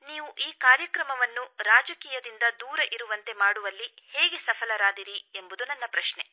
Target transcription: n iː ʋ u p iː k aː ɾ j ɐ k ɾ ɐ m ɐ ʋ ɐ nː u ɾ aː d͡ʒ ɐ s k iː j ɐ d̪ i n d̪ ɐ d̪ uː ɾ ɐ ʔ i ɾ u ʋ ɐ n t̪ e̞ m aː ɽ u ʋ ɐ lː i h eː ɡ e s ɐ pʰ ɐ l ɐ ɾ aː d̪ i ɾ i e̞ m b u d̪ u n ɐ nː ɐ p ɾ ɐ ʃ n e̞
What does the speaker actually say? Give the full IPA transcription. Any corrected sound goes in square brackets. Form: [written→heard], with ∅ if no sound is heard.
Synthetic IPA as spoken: n iː ʋ u [p→ʔ] iː k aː ɾ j ɐ k ɾ ɐ m ɐ ʋ ɐ nː u ɾ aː d͡ʒ ɐ [s→∅] k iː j ɐ d̪ i n d̪ ɐ d̪ uː ɾ ɐ ʔ i ɾ u ʋ ɐ n t̪ e̞ m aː ɽ u ʋ ɐ lː i h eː ɡ e s ɐ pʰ ɐ l ɐ ɾ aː d̪ i ɾ i e̞ m b u d̪ u n ɐ nː ɐ p ɾ ɐ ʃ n e̞